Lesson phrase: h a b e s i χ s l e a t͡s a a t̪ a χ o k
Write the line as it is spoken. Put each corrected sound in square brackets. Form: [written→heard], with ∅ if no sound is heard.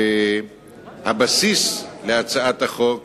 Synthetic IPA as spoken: h a b [e→a] s i [χ→∅] s l e a t͡s a a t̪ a χ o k